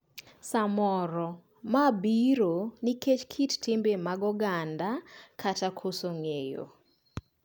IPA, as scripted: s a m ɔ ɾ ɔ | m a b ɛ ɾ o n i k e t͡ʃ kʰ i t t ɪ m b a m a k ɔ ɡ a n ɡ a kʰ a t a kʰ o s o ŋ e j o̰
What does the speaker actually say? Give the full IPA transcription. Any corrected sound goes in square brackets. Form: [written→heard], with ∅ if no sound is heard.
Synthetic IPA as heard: s a m ɔ ɾ ɔ | m a b [ɛ→i] ɾ o n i k e t͡ʃ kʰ i t t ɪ m b [a→e] m a [k→ɡ] ɔ ɡ a n [ɡ→d] a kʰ a t a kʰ o s o ŋ e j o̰